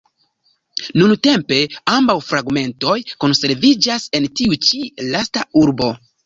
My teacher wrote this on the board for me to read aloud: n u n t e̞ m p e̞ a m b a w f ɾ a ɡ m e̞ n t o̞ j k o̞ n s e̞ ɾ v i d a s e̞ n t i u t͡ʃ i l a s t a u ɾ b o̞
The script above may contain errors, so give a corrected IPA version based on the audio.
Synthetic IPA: n u n t e̞ m p e̞ a m b a w f ɾ a ɡ m e̞ n t o̞ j k o̞ n s e̞ ɾ v i d͡ʒ a s e̞ n t i u t͡ʃ i l a s t a u ɾ b o̞